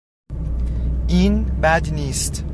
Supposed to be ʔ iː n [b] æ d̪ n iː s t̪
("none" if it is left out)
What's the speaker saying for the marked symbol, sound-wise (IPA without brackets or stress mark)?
b